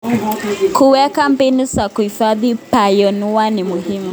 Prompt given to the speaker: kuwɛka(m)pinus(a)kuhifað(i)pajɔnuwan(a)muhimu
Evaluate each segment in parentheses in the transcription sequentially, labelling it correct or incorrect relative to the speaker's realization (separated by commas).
correct, correct, correct, incorrect